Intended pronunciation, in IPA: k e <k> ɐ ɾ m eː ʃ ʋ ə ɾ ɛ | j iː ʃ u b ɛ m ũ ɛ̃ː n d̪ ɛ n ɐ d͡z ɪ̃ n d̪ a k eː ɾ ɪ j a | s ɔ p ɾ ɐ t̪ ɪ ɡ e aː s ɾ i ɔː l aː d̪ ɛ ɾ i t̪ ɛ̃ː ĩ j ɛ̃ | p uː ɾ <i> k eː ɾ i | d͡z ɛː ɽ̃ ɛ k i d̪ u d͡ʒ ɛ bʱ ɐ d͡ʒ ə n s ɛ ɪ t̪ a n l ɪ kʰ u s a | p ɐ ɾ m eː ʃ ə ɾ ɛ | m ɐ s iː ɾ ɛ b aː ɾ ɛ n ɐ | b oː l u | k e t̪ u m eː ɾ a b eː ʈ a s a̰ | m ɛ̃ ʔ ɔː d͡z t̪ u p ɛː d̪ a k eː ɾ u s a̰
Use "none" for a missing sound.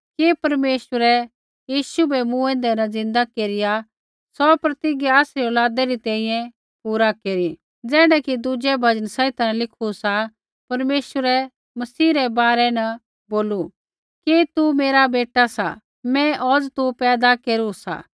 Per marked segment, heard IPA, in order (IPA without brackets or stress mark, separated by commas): p, a